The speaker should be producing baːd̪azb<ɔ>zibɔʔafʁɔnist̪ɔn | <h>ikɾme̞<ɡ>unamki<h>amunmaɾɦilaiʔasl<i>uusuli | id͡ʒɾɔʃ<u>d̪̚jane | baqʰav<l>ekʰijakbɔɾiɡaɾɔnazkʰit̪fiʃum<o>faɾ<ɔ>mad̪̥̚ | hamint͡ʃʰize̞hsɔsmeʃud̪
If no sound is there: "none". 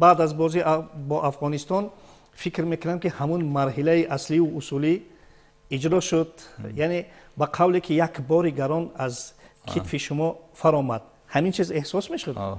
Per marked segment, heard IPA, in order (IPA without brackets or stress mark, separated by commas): ɔ, f, k, h, i, u, l, ɔ, ɔ